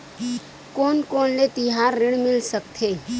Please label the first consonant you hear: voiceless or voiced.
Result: voiceless